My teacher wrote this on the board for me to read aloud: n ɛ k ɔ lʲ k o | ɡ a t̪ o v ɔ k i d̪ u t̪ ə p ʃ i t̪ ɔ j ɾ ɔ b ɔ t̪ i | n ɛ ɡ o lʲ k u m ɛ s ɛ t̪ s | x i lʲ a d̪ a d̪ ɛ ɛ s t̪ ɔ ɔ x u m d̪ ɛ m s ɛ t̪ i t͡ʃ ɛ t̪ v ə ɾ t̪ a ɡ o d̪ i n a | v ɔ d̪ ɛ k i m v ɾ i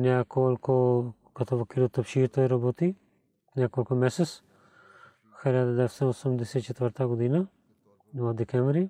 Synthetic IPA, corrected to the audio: n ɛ k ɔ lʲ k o | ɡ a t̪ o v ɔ k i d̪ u t̪ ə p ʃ i t̪ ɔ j ɾ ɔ b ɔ t̪ i | n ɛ k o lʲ k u m ɛ s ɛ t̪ s | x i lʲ a d̪ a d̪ ɛ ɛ s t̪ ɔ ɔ s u m d̪ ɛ s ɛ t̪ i t͡ʃ ɛ t̪ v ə ɾ t̪ a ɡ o d̪ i n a | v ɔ d̪ ɛ k ɛ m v ɾ i